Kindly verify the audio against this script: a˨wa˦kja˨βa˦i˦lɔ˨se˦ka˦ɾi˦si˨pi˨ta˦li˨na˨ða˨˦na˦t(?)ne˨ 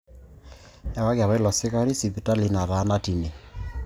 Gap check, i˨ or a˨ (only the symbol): i˨